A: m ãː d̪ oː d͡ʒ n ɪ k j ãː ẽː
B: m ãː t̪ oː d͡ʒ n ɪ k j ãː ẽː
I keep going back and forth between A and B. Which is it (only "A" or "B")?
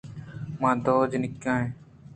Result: A